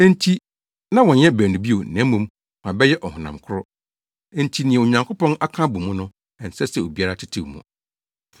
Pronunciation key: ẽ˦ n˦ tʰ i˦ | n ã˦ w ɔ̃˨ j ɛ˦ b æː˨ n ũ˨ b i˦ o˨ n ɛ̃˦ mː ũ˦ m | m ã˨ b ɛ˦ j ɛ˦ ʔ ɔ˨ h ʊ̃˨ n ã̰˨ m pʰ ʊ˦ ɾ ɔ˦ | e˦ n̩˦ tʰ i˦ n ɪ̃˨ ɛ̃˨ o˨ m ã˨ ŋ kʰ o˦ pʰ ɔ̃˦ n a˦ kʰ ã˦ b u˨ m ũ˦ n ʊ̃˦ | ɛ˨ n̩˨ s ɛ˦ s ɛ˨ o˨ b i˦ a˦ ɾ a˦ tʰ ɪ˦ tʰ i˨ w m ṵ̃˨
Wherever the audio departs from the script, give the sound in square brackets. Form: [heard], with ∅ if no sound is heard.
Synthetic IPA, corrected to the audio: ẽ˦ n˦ tʰ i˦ | n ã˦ w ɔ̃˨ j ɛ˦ b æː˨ n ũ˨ b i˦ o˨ n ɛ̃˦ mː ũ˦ m | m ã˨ b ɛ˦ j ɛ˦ ʔ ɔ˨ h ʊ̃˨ n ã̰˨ m [kʰ] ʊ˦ ɾ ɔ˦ | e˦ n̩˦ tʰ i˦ n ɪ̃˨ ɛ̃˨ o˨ [ɲ] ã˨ ŋ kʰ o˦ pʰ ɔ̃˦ n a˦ kʰ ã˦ b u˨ m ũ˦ n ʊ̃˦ | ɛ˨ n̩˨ s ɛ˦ s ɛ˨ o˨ b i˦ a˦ ɾ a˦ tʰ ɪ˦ tʰ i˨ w m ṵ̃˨